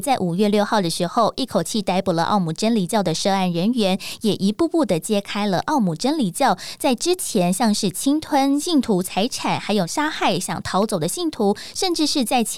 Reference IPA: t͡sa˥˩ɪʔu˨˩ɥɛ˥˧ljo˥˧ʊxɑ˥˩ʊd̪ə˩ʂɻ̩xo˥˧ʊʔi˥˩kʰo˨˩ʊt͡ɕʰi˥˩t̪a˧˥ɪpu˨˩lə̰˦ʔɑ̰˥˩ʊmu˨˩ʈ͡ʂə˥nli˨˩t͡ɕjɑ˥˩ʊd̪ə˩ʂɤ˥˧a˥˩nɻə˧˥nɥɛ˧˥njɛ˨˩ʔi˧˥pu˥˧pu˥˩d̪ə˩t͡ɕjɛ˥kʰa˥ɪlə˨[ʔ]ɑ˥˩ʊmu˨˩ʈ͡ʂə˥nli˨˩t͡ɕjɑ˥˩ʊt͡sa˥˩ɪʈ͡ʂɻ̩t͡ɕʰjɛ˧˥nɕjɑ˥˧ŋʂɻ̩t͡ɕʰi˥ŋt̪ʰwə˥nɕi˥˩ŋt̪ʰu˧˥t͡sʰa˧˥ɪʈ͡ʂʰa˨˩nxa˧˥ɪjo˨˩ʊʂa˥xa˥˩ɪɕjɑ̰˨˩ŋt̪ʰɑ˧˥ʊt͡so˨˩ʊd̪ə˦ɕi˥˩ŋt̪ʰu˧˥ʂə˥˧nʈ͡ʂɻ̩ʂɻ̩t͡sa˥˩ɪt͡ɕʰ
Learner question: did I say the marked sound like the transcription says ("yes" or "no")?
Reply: yes